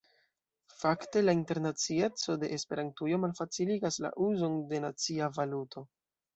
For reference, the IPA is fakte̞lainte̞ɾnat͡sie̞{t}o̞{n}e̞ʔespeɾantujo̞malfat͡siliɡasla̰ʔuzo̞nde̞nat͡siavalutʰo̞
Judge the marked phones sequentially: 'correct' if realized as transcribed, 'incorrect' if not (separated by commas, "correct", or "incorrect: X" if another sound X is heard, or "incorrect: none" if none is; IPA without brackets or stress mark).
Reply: incorrect: t͡s, incorrect: d